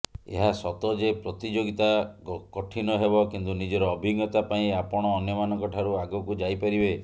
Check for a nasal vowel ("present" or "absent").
present